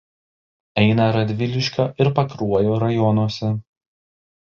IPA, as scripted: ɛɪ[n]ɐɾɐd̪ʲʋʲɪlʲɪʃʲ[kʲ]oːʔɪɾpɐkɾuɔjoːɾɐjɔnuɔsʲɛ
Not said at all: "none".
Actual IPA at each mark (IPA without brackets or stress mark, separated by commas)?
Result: n, kʲ